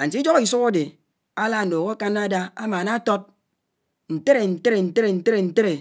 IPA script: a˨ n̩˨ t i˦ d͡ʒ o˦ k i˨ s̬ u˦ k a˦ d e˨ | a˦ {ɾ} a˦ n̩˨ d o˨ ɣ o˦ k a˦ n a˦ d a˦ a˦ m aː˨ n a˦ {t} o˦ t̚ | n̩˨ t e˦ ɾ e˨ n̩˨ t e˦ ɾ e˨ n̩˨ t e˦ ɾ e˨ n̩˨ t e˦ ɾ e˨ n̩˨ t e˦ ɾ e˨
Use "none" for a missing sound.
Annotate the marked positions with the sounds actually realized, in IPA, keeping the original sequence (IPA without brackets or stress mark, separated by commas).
l, t